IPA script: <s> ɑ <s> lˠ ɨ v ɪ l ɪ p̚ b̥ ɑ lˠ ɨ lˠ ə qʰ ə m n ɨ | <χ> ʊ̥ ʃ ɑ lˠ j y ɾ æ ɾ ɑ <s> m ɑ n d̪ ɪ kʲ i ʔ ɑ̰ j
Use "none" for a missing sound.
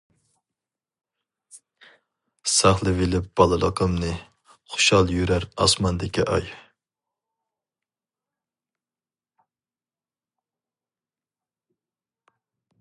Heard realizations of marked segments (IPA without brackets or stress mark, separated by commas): s, χ, χ, s